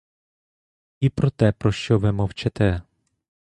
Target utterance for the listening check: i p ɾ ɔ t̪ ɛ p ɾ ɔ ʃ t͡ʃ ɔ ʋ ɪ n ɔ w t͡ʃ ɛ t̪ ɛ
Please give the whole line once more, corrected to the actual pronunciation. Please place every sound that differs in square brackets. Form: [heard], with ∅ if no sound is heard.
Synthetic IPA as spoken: i p ɾ ɔ t̪ ɛ p ɾ ɔ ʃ t͡ʃ ɔ ʋ ɪ [m] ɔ w t͡ʃ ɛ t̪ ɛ